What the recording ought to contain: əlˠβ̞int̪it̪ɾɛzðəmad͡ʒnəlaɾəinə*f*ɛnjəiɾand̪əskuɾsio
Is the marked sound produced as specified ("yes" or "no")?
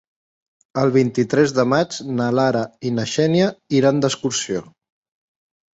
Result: no